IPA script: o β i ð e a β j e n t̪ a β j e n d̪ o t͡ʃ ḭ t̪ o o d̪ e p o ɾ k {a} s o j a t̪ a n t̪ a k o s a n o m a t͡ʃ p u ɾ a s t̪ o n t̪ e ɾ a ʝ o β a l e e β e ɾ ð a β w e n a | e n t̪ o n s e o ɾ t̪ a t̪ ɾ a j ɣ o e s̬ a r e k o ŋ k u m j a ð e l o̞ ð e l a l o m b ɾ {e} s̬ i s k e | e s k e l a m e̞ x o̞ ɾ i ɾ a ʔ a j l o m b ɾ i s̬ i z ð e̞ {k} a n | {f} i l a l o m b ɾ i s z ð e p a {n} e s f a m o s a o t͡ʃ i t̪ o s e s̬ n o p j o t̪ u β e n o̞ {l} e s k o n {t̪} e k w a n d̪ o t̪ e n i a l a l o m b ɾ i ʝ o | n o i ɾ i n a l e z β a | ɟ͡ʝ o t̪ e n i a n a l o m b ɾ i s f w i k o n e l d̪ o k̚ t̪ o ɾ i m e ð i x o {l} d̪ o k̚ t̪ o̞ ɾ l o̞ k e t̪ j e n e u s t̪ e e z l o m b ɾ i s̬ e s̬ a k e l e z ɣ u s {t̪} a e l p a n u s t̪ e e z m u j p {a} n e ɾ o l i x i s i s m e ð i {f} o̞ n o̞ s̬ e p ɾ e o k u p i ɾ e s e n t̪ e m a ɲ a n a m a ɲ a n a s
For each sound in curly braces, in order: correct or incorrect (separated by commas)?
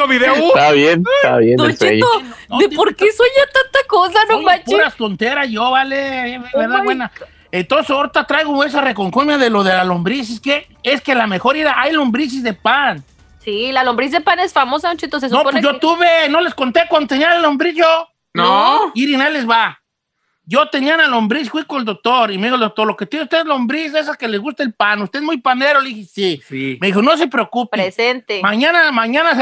incorrect, incorrect, incorrect, incorrect, correct, correct, correct, correct, correct, correct, incorrect